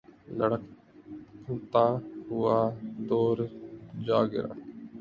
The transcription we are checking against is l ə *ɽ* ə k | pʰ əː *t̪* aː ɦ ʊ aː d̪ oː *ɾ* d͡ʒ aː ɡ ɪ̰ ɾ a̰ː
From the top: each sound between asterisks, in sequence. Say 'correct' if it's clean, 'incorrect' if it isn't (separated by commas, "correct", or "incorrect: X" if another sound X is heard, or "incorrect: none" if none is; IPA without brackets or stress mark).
correct, correct, correct